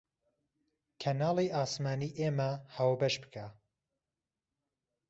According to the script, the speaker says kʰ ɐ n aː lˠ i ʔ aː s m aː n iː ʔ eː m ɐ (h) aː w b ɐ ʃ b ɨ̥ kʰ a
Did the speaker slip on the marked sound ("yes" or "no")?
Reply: no